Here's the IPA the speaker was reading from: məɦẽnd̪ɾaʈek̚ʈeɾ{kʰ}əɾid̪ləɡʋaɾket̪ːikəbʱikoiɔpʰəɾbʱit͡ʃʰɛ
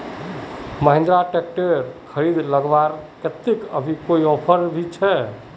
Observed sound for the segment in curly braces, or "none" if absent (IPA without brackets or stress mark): kʰ